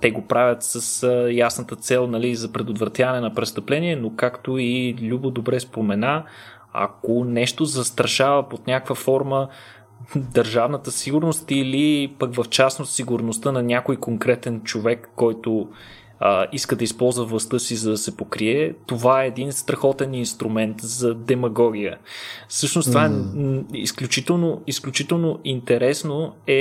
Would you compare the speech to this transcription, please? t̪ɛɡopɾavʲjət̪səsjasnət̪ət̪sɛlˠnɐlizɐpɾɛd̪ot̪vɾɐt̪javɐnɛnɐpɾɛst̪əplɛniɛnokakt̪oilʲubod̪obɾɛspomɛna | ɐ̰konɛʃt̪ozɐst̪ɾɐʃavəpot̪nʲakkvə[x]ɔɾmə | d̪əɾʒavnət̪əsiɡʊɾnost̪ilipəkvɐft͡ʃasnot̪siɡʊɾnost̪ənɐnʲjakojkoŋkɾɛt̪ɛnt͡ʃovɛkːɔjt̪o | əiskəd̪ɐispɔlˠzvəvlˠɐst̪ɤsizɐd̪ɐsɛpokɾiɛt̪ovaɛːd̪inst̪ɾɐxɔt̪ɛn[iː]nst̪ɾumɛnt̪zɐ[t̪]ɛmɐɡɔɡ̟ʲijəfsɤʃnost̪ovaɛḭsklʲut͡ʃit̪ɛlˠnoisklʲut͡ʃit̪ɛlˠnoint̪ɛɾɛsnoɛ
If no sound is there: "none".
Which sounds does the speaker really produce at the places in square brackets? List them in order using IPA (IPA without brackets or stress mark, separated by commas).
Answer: f, i, d̪